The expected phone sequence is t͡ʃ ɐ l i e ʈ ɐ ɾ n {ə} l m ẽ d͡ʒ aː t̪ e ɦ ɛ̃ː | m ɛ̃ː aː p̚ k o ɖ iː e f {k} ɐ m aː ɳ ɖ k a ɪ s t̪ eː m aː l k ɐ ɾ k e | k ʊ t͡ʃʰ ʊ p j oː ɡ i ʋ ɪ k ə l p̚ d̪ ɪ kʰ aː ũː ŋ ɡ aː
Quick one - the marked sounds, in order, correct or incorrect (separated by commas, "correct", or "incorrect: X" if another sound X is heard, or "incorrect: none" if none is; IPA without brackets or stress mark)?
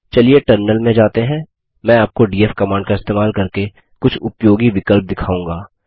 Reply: correct, correct